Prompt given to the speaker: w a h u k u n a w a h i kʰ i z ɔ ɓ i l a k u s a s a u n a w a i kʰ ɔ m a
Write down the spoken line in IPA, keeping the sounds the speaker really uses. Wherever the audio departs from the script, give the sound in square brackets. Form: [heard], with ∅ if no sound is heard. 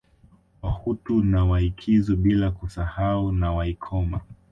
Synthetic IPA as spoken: w a h u [t] u n a w a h i kʰ i z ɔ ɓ i l a k u s a [h] a u n a w a i kʰ ɔ m a